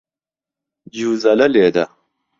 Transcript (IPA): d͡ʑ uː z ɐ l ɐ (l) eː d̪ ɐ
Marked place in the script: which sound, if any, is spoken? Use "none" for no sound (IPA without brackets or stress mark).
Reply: l